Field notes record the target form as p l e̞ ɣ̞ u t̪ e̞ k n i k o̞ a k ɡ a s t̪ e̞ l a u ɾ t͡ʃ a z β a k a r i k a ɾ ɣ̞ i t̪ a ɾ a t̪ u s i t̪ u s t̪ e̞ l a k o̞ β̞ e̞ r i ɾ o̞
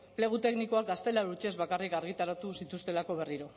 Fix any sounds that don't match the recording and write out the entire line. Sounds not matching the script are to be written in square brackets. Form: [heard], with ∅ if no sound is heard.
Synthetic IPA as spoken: p l e̞ ɣ̞ u t̪ e̞ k n i k o̞ a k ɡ a s t̪ e̞ l a u ɾ t͡ʃ [e] z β a k a r i k a ɾ ɣ̞ i t̪ a ɾ a t̪ u s i t̪ u s t̪ e̞ l a k o̞ β̞ e̞ r i ɾ o̞